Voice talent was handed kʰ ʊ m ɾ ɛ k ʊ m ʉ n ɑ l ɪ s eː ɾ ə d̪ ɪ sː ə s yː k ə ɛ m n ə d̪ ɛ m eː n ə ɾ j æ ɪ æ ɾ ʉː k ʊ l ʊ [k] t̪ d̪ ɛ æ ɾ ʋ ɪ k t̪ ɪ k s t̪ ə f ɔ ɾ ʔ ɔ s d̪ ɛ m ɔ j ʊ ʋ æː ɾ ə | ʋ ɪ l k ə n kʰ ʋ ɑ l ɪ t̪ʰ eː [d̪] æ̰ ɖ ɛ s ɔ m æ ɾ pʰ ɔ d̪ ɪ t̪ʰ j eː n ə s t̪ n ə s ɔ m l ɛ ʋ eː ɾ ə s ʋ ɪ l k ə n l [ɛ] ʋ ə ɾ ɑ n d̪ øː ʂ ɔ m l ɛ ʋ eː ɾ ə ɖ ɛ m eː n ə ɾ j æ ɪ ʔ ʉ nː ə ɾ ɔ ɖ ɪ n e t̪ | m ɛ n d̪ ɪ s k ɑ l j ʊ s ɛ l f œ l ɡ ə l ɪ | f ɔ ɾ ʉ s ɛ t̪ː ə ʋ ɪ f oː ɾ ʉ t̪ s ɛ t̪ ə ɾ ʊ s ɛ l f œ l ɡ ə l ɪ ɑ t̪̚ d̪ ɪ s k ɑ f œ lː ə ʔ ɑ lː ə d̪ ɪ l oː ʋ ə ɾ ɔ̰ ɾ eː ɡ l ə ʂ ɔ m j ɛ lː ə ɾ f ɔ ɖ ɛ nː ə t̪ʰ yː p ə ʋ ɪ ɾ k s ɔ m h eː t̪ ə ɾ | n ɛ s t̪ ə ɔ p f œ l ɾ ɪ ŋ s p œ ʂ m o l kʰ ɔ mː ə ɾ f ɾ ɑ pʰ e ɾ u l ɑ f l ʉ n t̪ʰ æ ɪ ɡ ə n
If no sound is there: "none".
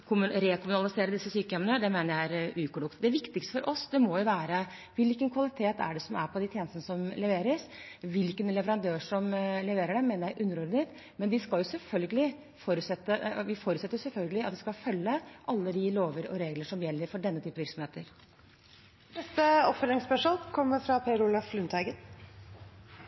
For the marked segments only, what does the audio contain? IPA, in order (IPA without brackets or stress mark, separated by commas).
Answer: k, t̪, ɛ